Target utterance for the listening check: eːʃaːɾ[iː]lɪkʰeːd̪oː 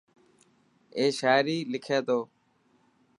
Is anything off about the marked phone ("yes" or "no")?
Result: no